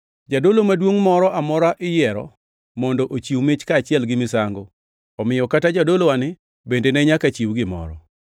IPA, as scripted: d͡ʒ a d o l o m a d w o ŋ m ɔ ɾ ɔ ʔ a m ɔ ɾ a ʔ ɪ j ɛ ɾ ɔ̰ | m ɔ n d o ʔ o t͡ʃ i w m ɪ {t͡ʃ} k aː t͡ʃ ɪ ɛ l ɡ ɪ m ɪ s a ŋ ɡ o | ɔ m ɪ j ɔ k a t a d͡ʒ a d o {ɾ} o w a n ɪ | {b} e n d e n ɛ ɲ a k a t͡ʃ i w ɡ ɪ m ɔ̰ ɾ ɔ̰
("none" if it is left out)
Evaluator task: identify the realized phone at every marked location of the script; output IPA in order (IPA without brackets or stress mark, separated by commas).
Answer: t͡ʃ, l, b